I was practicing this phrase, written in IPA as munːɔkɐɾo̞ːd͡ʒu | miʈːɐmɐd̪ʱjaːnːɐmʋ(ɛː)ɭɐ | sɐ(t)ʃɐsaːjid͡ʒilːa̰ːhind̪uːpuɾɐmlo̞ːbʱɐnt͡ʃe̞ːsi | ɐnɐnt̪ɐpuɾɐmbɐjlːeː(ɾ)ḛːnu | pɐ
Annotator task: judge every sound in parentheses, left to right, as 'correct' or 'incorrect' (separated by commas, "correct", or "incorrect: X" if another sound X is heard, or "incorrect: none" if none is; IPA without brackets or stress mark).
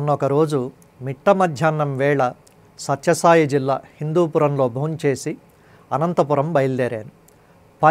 correct, correct, correct